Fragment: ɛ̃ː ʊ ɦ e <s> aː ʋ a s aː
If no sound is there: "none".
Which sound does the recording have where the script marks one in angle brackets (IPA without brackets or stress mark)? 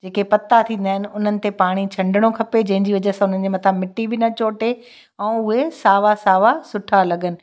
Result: s